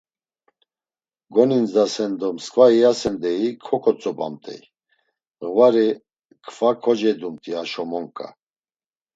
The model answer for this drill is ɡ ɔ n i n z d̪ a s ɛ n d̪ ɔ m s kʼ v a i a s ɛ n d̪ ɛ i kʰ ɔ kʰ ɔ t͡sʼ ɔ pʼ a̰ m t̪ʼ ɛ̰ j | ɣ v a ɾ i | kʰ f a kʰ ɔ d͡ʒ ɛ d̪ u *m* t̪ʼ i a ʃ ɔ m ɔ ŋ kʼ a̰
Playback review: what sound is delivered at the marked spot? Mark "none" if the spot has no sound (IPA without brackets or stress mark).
m